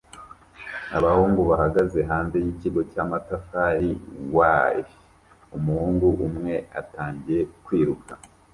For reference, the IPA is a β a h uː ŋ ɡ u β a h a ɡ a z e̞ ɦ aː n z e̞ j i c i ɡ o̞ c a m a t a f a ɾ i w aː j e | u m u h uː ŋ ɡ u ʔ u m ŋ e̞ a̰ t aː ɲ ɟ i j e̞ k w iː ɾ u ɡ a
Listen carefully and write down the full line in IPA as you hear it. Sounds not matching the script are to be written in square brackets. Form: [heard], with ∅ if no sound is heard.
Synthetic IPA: a β a h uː ŋ ɡ u β a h a ɡ a z e̞ ɦ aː n z e̞ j i c i ɡ o̞ c a m a t a f a ɾ i w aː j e | u m u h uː ŋ ɡ u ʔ u m ŋ e̞ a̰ t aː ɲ ɟ i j e̞ k w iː ɾ u [k] a